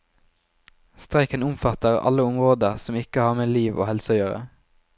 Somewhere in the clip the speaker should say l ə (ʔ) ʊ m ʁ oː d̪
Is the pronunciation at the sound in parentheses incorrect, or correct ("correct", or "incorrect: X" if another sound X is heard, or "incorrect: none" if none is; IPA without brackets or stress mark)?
incorrect: none